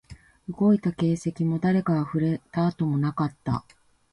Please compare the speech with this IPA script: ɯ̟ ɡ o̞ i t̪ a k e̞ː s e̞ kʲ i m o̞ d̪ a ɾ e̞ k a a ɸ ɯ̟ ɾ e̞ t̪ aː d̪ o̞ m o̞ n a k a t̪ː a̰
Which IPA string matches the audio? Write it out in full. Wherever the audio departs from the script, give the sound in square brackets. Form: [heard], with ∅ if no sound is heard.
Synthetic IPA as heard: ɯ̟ ɡ o̞ i t̪ a k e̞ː s e̞ kʲ i m o̞ d̪ a ɾ e̞ k a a ɸ ɯ̟ ɾ e̞ t̪ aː [t̪] o̞ m o̞ n a k a t̪ː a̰